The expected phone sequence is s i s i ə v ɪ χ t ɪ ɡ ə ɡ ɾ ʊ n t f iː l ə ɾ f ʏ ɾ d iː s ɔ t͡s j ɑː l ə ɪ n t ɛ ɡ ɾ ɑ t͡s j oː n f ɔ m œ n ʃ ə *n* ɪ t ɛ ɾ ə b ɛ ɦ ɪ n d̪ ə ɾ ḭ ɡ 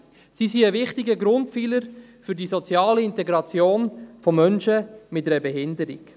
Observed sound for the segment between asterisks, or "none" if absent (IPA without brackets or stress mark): m